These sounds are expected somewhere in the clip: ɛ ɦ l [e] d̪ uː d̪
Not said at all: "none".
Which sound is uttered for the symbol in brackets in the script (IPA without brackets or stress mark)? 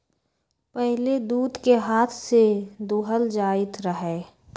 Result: e